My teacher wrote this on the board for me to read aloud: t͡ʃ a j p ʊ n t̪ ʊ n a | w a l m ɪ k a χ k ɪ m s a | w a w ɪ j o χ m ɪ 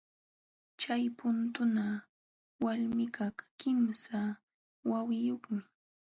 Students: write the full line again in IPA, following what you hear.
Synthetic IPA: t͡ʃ a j p ʊ n t̪ ʊ n a | w a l m ɪ k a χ k ɪ m s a | w a w ɪ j o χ m ɪ